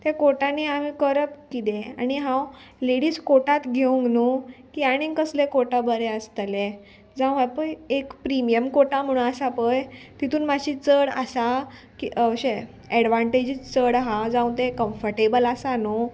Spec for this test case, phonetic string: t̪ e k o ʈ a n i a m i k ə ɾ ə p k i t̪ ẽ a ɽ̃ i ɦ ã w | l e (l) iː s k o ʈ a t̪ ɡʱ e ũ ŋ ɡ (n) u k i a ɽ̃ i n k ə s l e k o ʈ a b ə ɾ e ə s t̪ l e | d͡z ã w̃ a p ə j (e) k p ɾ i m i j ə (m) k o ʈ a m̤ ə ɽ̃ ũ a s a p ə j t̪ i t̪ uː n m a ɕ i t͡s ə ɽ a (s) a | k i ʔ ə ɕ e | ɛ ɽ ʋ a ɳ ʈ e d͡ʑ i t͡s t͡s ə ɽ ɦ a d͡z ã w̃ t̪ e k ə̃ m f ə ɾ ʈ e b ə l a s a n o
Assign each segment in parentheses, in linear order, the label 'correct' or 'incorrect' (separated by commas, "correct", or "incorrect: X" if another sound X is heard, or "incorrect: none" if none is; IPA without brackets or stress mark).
incorrect: ɽ, correct, correct, correct, correct